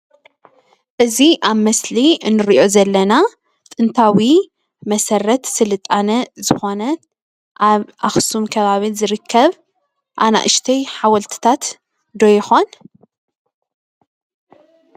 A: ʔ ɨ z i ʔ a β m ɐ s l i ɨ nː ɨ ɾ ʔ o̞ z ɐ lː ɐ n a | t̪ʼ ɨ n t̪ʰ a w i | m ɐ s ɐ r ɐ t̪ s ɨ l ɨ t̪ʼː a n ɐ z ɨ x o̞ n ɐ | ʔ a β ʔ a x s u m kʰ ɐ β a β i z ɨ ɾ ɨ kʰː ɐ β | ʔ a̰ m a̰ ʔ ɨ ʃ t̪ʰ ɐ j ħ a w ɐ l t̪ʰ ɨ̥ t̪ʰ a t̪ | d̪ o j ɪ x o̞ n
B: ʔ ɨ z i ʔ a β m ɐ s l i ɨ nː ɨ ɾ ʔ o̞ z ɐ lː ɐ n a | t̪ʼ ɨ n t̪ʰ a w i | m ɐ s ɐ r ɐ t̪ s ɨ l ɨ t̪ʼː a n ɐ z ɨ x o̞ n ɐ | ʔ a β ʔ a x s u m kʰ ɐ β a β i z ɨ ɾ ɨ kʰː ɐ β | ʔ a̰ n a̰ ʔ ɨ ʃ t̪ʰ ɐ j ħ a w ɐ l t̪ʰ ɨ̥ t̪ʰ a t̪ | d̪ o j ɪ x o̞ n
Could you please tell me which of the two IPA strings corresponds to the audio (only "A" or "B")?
B